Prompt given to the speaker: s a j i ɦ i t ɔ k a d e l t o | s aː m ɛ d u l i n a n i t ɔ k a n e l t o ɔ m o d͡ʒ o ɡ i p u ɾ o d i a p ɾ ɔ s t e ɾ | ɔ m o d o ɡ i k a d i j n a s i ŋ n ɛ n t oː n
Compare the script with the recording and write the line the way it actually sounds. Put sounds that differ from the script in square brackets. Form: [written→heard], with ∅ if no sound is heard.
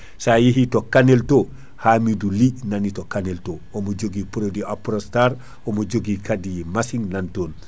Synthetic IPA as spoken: s a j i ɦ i t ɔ k a [d→n] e l t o | [s→h] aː m [ɛ→i] d u l i n a n i t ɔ k a n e l t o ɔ m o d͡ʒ o ɡ i p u ɾ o d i a p ɾ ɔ s t [e→a] ɾ | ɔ m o [d→d͡ʒ] o ɡ i k a d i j [n→m] a s i ŋ n [ɛ→a] n t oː n